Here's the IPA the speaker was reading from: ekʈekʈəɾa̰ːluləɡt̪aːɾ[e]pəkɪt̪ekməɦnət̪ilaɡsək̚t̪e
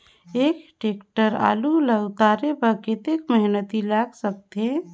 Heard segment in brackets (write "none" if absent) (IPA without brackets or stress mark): e